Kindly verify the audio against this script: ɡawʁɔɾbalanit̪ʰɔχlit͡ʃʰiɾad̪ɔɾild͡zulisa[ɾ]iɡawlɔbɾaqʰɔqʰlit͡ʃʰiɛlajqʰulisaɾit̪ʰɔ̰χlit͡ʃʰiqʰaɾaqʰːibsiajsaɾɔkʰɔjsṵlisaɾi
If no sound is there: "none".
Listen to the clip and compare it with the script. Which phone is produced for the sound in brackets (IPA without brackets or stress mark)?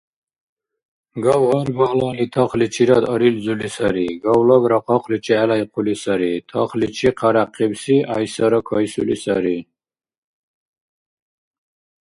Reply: ɾ